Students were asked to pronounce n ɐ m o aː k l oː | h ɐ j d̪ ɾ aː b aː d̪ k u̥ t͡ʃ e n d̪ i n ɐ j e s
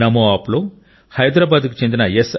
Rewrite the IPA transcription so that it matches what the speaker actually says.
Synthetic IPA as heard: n ɐ m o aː p l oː | h ɐ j d̪ ɾ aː b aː d̪ k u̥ t͡ʃ e n d̪ i n ɐ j e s